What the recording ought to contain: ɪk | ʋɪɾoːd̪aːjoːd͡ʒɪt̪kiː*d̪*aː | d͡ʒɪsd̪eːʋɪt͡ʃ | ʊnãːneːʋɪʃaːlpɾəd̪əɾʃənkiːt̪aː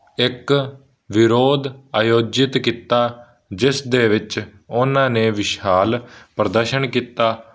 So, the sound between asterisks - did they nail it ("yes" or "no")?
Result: no